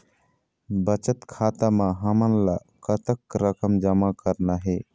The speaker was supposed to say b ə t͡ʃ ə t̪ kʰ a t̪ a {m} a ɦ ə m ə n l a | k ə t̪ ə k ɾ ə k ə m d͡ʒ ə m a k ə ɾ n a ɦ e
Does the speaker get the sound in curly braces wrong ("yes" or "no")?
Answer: no